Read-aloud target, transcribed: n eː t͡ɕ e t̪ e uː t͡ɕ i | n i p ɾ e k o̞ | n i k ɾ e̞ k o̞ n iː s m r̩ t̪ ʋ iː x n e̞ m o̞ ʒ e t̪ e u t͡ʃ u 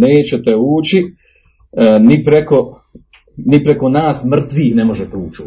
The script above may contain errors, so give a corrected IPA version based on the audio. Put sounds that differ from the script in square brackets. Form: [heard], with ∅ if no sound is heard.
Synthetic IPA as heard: n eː t͡ɕ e t̪ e uː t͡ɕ i | n i p ɾ e k o̞ | n i [p] ɾ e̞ k o̞ n [aː] s m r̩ t̪ ʋ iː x n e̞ m o̞ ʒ e t̪ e [uː] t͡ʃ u